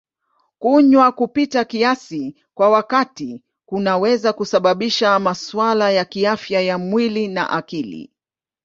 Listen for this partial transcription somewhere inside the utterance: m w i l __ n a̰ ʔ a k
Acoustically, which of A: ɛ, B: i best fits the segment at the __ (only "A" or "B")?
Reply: B